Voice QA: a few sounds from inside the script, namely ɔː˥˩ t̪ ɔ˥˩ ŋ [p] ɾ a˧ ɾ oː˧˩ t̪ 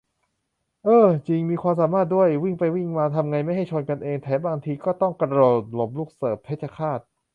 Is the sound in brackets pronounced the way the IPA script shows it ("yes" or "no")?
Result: no